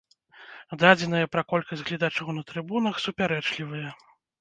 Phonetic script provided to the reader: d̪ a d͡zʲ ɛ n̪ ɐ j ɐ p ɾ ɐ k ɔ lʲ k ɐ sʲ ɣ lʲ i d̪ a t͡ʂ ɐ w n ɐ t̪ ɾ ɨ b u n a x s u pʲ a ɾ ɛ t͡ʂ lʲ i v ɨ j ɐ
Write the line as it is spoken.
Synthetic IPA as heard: d̪ a d͡zʲ ɛ n̪ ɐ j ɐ p ɾ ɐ k ɔ lʲ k ɐ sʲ ɣ lʲ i d̪ a t͡ʂ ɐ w n ɐ t̪ ɾ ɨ b u n ɐ x s u pʲ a ɾ ɛ t͡ʂ lʲ i v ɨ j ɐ